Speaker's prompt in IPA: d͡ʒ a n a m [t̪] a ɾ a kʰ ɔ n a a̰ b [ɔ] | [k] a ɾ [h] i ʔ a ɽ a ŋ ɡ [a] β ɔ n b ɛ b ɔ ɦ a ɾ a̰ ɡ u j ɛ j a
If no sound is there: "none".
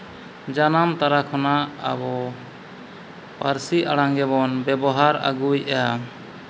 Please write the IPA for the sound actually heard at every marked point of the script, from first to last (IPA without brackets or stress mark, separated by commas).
t̪, ɔ, p, s, ɛ